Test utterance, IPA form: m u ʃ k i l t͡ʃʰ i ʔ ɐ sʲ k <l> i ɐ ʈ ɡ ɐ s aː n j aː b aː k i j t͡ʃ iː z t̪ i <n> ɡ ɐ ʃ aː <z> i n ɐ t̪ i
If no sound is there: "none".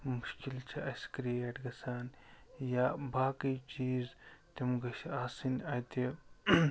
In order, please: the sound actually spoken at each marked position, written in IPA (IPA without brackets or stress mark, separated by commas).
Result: ɾ, m, s